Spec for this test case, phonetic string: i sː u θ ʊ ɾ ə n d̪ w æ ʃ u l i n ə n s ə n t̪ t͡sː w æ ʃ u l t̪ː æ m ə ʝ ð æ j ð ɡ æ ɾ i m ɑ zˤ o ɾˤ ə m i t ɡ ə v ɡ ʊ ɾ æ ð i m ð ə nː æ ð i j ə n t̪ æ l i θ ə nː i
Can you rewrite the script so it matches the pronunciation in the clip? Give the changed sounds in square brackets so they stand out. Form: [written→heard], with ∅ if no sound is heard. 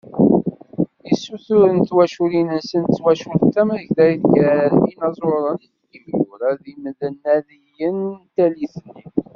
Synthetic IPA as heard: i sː u θ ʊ ɾ ə n [d̪→t̪] w æ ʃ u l i n ə n s ə n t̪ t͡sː w æ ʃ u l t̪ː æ m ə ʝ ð æ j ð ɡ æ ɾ i [m→n] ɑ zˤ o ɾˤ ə [m→n] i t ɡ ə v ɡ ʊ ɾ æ ð i m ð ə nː æ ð i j ə n t̪ æ l i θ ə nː i